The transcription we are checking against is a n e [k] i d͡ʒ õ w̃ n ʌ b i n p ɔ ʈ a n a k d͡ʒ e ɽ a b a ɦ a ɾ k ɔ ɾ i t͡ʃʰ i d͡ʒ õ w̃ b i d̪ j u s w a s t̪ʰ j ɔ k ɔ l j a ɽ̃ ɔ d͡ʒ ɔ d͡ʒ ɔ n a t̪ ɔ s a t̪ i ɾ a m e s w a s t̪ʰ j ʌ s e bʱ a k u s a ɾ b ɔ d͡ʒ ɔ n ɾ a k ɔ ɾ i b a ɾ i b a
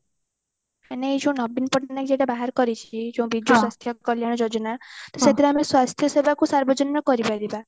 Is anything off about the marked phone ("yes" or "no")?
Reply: yes